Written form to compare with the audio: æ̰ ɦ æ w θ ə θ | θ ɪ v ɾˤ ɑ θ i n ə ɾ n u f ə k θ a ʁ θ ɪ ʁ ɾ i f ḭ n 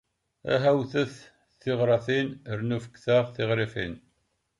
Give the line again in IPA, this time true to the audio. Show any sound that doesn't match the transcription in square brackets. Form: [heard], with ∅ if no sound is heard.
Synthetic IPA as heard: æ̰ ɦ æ w θ ə θ | θ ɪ [ʁ] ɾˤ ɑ θ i n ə ɾ n u f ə k θ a ʁ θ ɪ ʁ ɾ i f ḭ n